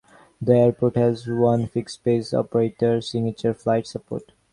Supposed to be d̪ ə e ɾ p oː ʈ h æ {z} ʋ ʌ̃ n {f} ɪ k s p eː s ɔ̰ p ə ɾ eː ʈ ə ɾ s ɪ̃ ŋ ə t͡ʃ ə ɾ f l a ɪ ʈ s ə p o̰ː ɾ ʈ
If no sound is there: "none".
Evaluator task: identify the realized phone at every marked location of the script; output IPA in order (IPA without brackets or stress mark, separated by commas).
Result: z, f